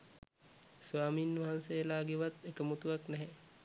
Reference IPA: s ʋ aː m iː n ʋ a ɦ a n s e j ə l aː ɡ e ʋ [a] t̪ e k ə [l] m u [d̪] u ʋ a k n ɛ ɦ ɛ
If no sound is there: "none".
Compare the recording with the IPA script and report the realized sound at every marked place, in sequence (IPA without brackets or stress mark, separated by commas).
a, none, t̪